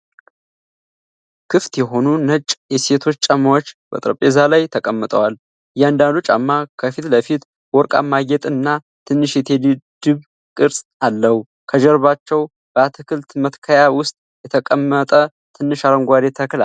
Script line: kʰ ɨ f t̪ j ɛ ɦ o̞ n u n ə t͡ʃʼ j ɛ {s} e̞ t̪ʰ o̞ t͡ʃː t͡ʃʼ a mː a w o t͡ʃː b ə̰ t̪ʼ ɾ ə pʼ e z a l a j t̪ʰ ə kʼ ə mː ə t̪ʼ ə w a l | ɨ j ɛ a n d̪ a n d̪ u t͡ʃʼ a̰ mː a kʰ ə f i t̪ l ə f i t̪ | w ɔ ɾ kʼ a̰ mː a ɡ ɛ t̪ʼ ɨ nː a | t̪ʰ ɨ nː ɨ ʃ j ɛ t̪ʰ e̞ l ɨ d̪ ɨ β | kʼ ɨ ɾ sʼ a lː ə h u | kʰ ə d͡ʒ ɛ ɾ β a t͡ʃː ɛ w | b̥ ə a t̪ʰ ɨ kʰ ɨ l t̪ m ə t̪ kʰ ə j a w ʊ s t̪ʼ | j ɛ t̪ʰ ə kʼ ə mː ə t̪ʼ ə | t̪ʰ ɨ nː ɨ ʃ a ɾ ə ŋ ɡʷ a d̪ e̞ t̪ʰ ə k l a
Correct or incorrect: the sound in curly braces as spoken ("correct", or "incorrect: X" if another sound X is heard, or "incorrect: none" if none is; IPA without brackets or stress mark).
correct